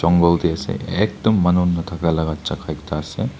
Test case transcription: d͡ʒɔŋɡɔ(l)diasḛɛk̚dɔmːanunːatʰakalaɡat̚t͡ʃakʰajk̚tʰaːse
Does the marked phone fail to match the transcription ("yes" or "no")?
no